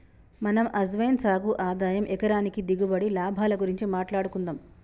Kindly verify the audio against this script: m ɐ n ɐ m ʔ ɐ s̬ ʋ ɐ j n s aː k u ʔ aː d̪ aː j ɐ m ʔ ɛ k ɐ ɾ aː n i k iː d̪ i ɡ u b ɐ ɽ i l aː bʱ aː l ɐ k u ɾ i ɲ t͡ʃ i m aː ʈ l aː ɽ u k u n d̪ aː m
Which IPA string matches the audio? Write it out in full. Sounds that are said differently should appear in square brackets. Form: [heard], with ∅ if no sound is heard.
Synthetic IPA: m ɐ n ɐ m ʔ ɐ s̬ ʋ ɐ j n s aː [ɡ] u ʔ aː d̪ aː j ɐ m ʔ ɛ k ɐ ɾ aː n i k [i] d̪ i ɡ u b ɐ ɽ i l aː bʱ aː l ɐ [ɡ] u ɾ i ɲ t͡ʃ i m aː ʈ l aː ɽ u k u n d̪ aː m

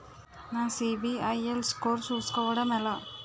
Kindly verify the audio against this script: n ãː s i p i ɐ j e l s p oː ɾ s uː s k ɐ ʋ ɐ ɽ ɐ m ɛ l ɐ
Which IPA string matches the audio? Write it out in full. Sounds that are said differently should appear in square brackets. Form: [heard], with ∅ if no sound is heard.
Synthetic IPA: n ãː s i [b] i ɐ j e l s [k] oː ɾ s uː s k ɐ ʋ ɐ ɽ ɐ m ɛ l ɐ

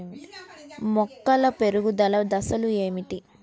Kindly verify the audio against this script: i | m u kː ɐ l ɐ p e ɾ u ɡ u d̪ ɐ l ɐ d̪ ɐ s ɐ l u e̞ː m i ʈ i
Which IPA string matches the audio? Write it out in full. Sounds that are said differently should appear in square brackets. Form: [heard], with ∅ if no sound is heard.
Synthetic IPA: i | m [ɔ] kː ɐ l ɐ p e ɾ u ɡ u d̪ ɐ l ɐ d̪ ɐ s ɐ l u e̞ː m i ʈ i

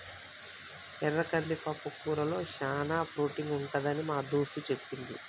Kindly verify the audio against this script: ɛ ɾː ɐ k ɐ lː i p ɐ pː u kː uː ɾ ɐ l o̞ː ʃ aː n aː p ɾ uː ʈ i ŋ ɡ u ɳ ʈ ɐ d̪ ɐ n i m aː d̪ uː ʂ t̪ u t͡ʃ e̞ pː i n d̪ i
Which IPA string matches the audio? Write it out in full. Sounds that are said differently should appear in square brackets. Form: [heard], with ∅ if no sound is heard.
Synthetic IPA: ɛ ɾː ɐ k ɐ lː i p ɐ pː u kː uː ɾ ɐ l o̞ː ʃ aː n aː p ɾ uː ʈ i ŋ ɡ u ɳ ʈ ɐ d̪ ɐ n i m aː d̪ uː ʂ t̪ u t͡ʃ e̞ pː i n d̪ i

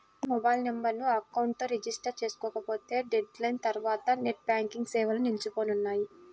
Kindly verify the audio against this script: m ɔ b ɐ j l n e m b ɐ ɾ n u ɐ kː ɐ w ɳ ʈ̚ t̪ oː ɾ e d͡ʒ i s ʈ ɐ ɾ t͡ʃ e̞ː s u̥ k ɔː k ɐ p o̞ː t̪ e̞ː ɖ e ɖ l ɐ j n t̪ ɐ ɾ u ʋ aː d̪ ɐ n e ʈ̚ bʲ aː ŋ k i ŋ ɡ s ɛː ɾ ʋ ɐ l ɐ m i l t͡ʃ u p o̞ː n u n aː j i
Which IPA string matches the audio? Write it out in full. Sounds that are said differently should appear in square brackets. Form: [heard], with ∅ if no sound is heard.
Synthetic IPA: m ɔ b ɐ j l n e m b ɐ ɾ n u ɐ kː ɐ w ɳ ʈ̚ t̪ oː ɾ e d͡ʒ i s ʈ ɐ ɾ t͡ʃ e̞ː s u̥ k ɔː k ɐ p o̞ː t̪ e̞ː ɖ e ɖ l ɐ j n t̪ ɐ ɾ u ʋ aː [t̪] ɐ n e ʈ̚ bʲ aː ŋ k i ŋ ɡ s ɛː [∅] ʋ ɐ l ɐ [n] i l t͡ʃ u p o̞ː n u [nː] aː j i

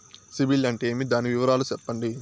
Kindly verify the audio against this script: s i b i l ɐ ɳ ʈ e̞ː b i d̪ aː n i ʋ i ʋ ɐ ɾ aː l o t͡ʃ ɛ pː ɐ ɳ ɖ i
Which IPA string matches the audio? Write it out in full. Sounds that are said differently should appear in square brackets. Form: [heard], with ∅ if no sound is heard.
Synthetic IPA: s i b i l ɐ ɳ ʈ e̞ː [m] i d̪ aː n i ʋ i ʋ ɐ ɾ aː l [u] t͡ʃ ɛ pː ɐ ɳ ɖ i

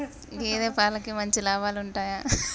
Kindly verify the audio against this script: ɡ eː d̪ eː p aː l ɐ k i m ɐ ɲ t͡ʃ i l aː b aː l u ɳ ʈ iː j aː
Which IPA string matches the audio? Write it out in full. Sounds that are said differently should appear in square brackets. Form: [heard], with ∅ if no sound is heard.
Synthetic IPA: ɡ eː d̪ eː p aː l ɐ k i m ɐ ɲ t͡ʃ i l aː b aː l u ɳ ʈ [aː] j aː

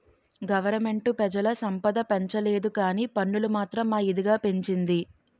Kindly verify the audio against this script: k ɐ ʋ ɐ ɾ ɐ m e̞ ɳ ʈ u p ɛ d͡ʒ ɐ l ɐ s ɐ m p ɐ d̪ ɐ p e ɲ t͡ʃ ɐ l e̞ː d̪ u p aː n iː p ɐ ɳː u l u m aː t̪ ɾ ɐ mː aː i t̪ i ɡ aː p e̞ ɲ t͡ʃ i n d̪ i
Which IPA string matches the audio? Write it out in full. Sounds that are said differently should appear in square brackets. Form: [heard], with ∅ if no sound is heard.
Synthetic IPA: [ɡ] ɐ ʋ ɐ ɾ ɐ m e̞ ɳ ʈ u p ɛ d͡ʒ ɐ l ɐ s ɐ m p ɐ d̪ ɐ p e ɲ t͡ʃ ɐ l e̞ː d̪ u [k] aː n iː p ɐ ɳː u l u m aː t̪ ɾ ɐ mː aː i [d̪] i ɡ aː p e̞ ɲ t͡ʃ i n d̪ i

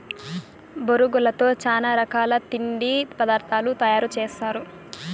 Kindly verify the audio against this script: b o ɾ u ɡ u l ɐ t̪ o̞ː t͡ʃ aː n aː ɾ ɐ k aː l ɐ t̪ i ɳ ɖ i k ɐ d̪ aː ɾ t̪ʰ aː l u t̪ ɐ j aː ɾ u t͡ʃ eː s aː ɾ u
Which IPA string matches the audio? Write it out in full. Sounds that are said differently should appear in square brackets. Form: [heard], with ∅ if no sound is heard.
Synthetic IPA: b o ɾ u ɡ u l ɐ t̪ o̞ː t͡ʃ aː n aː ɾ ɐ k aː l ɐ t̪ i ɳ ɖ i [p] ɐ d̪ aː ɾ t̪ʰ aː l u t̪ ɐ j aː ɾ u t͡ʃ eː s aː ɾ u

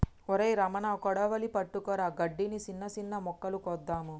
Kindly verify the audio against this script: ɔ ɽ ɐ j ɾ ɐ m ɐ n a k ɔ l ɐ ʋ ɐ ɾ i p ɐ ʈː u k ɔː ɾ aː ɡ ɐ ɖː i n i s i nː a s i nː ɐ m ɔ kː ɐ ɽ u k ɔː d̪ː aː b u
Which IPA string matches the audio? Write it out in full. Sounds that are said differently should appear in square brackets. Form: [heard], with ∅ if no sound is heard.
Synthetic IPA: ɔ [ɾ] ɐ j ɾ ɐ m ɐ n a k ɔ [ɽ] ɐ ʋ ɐ [l] i p ɐ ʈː u k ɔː ɾ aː ɡ ɐ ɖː i n i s i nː [ɐ] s i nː ɐ m ɔ kː ɐ [l] u k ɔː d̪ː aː [m] u

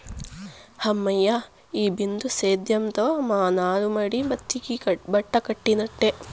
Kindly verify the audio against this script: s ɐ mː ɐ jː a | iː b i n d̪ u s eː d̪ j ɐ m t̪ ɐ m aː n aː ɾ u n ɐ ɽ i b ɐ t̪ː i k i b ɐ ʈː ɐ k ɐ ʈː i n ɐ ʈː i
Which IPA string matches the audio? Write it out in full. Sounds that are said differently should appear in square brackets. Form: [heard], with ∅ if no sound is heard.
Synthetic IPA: [h] ɐ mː ɐ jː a | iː b i n d̪ u s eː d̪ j ɐ m t̪ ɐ m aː n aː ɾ u [m] ɐ ɽ i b ɐ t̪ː i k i b ɐ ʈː ɐ k ɐ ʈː i n ɐ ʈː [e]

